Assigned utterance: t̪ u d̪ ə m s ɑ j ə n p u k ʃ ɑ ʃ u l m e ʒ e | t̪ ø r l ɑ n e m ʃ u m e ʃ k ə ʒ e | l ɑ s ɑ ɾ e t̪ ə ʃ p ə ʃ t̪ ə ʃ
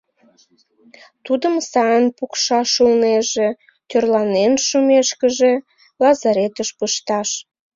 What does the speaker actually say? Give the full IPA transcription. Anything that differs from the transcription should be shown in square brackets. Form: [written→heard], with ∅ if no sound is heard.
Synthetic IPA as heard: t̪ u d̪ ə m s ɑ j ə n p u k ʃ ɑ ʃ u l [m→n] e ʒ e | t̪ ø r l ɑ n e [m→n] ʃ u m e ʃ k ə ʒ e | l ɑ [s→z] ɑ ɾ e t̪ ə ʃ p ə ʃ t̪ [ə→ɑ] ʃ